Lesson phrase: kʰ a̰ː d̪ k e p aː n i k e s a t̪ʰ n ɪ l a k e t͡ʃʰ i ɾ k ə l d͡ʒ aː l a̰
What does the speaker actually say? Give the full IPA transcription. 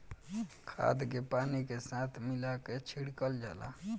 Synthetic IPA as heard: kʰ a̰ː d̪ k e p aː n i k e s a t̪ʰ m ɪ l a k e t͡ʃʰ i ɽ k ə l d͡ʒ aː l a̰